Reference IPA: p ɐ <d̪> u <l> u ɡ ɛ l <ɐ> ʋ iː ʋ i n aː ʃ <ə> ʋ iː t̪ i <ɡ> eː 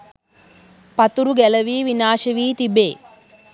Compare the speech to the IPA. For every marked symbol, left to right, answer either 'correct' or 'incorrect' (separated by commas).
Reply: incorrect, incorrect, correct, incorrect, incorrect